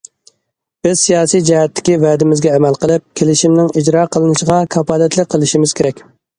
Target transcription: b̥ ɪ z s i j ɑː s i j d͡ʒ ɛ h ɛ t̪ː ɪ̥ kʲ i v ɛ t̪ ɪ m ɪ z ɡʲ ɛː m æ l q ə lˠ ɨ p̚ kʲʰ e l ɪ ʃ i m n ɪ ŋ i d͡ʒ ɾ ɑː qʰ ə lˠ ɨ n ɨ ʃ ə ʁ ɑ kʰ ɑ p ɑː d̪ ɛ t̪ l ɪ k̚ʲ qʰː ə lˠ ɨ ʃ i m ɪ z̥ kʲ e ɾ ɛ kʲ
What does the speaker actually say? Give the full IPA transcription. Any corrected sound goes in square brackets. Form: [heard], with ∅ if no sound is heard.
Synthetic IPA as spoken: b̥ ɪ z s i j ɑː s i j d͡ʒ ɛ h ɛ t̪ː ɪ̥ kʲ i v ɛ [d̪] ɪ m ɪ z ɡʲ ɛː m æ l q ə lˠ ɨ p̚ kʲʰ e l ɪ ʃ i m n ɪ ŋ i d͡ʒ ɾ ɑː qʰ ə lˠ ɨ n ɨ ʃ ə ʁ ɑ kʰ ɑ p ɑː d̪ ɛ t̪ l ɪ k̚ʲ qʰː ə lˠ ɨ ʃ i m ɪ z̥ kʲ e ɾ ɛ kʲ

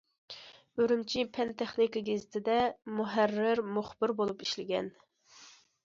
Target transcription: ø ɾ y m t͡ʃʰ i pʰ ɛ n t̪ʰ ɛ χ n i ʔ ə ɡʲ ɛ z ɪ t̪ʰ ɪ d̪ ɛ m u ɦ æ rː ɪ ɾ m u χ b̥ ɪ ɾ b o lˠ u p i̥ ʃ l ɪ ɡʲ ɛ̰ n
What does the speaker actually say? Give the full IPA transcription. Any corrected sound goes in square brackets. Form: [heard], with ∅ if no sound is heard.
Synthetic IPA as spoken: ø ɾ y m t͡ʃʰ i pʰ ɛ n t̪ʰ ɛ χ n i [k] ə ɡʲ [e] z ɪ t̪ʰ ɪ d̪ ɛ m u ɦ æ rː ɪ ɾ m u χ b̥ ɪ ɾ b o lˠ u p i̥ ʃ l ɪ ɡʲ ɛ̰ n

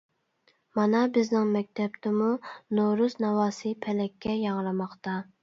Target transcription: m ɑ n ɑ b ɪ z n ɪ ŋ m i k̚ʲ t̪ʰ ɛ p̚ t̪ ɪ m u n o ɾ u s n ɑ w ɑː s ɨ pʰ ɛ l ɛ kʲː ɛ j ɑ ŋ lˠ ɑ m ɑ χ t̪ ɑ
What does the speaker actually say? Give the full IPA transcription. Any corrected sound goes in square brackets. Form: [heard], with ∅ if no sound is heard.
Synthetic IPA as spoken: m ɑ n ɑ b ɪ z n ɪ ŋ m [ɛ] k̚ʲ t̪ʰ ɛ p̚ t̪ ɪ m u n o ɾ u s n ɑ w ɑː s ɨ pʰ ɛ l ɛ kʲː ɛ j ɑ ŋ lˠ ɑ m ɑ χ t̪ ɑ

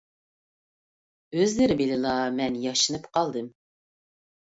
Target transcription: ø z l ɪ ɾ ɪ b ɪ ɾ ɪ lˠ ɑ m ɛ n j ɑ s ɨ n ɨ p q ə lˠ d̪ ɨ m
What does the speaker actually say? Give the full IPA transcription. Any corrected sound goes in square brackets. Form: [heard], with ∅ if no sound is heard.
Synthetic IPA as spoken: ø z l ɪ ɾ ɪ b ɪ [l] ɪ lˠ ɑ m ɛ n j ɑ [ʃ] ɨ n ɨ p q [ɑ] lˠ d̪ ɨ m

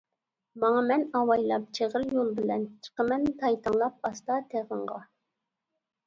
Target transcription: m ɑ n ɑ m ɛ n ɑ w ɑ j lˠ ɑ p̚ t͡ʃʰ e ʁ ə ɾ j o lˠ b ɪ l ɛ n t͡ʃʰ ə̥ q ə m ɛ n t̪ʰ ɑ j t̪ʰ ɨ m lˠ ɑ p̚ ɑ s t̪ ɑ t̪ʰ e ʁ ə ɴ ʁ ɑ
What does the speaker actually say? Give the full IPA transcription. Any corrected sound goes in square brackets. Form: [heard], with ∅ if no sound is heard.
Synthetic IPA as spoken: m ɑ [ŋ] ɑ m ɛ n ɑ w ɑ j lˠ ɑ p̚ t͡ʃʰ e ʁ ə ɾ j o lˠ b ɪ l ɛ n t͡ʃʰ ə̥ q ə m ɛ n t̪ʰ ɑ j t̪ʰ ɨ [ŋ] lˠ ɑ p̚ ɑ s t̪ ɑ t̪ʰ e ʁ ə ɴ ʁ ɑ

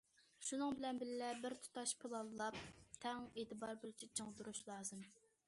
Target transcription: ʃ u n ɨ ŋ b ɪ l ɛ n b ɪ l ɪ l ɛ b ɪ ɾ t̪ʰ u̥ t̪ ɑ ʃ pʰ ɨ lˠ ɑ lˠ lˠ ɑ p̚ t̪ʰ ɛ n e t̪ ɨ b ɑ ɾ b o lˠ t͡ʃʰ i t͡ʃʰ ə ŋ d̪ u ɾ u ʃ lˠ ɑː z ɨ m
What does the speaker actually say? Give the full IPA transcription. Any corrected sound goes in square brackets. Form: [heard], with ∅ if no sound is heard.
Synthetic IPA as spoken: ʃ u n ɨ ŋ b ɪ l ɛ n b ɪ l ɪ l ɛ b ɪ ɾ t̪ʰ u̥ t̪ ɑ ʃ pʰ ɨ lˠ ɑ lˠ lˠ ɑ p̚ t̪ʰ ɛ [ŋ] e t̪ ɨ b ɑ ɾ b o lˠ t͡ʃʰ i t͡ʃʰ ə ŋ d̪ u ɾ u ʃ lˠ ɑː z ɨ m

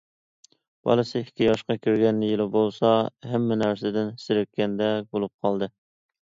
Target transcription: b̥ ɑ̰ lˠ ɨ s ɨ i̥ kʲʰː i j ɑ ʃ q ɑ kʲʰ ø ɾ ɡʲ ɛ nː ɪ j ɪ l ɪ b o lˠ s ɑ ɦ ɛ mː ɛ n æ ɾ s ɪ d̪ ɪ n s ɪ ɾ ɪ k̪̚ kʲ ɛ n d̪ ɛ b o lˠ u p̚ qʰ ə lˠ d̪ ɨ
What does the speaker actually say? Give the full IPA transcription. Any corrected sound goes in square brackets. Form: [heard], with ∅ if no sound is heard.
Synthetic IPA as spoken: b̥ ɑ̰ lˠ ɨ s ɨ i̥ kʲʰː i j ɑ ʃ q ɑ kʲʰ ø ɾ ɡʲ ɛ nː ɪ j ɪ l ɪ b o lˠ s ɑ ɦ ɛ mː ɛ n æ ɾ s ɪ d̪ ɪ n s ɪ ɾ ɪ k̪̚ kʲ ɛ n d̪ ɛ b o lˠ u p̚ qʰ [ɑ] lˠ d̪ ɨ

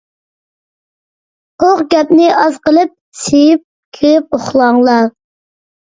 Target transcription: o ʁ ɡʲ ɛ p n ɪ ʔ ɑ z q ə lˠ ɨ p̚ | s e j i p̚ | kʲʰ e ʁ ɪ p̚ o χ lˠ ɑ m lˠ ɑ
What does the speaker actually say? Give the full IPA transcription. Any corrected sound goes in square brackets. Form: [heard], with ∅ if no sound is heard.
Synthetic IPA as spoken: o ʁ ɡʲ ɛ p n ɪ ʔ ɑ z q ə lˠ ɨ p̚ | s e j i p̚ | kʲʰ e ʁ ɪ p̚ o χ lˠ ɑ [ŋ] lˠ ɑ

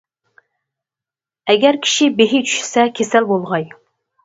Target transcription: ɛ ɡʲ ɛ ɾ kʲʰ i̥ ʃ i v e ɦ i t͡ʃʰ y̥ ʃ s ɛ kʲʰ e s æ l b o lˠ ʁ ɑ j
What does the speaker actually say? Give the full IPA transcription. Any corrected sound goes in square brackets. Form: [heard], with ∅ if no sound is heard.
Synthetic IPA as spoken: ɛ ɡʲ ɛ ɾ kʲʰ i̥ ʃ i [b] e ɦ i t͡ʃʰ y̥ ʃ s ɛ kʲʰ e s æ l b o lˠ ʁ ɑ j

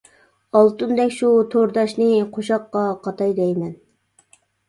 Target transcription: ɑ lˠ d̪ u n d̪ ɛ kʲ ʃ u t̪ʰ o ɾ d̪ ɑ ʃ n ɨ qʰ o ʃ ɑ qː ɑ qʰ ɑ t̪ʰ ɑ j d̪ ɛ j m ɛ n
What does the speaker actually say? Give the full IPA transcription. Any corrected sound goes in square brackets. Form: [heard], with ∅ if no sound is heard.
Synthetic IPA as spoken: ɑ lˠ [t̪] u n d̪ ɛ kʲ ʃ u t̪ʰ o ɾ d̪ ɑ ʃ n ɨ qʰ o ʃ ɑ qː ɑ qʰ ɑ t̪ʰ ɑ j d̪ ɛ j m ɛ n

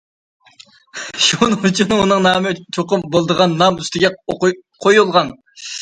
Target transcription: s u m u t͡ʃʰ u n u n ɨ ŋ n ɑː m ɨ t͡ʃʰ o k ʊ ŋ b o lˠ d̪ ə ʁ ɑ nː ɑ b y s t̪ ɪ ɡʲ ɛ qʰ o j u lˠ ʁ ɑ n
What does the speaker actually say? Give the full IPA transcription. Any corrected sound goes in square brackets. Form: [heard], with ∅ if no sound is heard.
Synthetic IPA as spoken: [ʃ] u [n] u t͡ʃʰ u n u n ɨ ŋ n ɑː m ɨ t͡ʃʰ o [q] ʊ [m] b o lˠ d̪ ə ʁ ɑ nː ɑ [m] y s t̪ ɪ ɡʲ ɛ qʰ o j u lˠ ʁ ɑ n

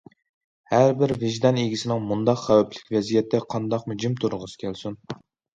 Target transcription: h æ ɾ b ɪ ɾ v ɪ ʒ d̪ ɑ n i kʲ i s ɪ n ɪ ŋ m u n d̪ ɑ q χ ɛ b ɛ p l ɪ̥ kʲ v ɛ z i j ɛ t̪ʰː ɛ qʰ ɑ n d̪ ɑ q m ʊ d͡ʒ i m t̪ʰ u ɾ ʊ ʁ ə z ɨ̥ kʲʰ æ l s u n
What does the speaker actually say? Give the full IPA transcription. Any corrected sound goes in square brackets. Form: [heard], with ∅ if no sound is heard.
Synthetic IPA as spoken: h æ ɾ b ɪ ɾ v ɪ ʒ d̪ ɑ n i [ɡʲ] i s ɪ n ɪ ŋ m u n d̪ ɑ q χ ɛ [w] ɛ p l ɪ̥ kʲ v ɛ z i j ɛ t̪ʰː ɛ qʰ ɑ n d̪ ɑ q m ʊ d͡ʒ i m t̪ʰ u ɾ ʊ ʁ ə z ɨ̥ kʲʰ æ l s u n

